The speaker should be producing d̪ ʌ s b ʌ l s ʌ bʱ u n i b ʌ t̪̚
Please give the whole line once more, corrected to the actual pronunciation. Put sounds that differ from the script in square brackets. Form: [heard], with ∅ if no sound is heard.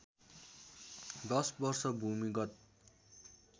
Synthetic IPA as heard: d̪ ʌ s b ʌ [r] s ʌ bʱ u [m] i [ɡ] ʌ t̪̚